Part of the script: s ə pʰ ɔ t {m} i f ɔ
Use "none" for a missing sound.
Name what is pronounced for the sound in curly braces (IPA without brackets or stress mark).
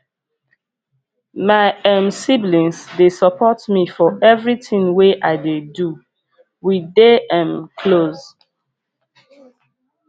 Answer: m